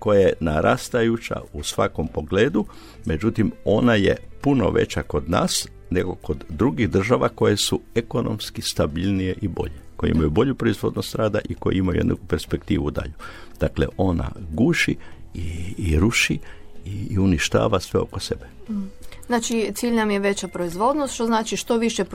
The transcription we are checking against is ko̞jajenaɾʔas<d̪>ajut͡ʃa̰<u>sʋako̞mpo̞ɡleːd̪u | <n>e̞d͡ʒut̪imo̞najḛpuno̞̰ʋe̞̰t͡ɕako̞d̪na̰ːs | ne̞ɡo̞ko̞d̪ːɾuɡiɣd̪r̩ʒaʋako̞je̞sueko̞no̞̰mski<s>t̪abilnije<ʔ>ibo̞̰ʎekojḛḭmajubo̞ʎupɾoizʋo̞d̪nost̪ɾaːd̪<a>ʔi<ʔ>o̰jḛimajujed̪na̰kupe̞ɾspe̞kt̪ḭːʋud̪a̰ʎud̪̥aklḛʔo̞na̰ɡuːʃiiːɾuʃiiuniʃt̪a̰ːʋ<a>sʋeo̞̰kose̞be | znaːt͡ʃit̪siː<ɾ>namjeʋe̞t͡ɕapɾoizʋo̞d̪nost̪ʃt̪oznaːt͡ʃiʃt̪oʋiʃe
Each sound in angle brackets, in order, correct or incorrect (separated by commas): incorrect, correct, incorrect, correct, correct, correct, incorrect, correct, incorrect